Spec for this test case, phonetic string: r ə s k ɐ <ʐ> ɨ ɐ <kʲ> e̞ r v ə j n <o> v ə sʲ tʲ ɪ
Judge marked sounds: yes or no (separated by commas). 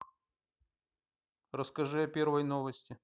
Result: yes, no, yes